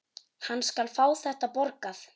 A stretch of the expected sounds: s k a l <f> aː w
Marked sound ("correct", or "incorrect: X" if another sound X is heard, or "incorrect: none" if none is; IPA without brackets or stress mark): correct